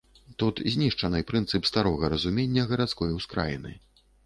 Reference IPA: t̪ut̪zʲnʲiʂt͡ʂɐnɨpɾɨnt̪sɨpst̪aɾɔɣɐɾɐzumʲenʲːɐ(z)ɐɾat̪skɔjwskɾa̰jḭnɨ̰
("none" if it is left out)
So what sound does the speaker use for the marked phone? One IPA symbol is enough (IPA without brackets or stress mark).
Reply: ɣ